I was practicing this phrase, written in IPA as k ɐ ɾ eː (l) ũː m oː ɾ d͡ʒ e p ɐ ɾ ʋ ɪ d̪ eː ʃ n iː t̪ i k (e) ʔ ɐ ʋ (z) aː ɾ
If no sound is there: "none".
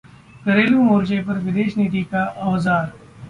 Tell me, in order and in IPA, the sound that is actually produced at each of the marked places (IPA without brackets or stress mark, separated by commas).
l, a, z